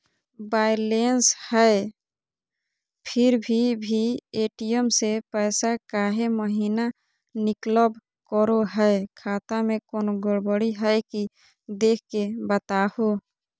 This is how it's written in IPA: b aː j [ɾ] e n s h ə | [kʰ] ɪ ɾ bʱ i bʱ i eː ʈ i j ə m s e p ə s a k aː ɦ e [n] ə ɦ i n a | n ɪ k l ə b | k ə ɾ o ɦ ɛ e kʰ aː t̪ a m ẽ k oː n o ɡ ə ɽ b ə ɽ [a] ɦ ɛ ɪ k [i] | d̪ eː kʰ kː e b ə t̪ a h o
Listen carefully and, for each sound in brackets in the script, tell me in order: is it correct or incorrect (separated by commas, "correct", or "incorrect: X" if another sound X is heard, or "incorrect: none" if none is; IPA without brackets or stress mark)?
incorrect: l, incorrect: pʰ, incorrect: m, incorrect: i, correct